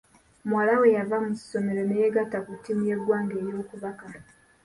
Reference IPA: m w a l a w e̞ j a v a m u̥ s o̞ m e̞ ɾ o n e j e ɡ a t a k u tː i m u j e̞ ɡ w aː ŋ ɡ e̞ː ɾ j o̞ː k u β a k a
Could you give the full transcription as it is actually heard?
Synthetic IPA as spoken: m w a l a w e̞ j a v a m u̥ s o̞ m e̞ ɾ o n e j e ɡ a t a k u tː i m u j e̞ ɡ w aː ŋ ɡ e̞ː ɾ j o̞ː k u β a k a

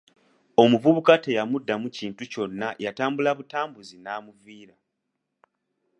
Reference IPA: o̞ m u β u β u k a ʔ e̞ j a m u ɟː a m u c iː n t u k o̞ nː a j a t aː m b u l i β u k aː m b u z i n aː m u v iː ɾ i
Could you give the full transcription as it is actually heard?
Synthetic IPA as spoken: o̞ m u v u β u k a t e̞ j a m u dː a m u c iː n t u c o̞ nː a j a t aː m b u l a β u t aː m b u z i n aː m u v iː ɾ a

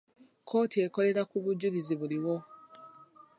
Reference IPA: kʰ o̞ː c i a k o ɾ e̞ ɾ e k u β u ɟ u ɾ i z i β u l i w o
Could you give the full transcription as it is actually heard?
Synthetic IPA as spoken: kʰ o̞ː t i e k o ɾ e̞ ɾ a k u β u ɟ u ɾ i z i β u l i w o

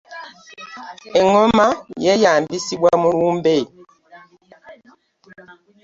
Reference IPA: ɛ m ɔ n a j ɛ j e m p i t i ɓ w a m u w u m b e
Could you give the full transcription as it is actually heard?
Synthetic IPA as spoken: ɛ ŋ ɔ m a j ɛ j a m b i s i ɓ w a m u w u m b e

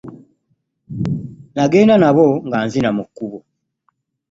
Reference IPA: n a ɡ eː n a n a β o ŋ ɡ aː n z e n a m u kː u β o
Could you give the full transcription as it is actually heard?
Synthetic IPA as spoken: n a ɡ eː n a n a β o ŋ ɡ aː n z i n a m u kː u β o

